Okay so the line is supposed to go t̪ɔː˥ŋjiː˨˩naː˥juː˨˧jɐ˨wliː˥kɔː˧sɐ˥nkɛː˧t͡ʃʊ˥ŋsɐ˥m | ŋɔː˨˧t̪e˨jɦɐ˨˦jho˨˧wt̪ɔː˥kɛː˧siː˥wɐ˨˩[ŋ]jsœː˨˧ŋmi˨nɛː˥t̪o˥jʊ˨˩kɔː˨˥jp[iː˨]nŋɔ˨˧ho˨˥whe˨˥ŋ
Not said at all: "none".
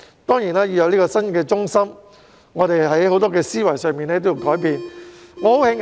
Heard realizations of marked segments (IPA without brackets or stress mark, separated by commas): none, iː˨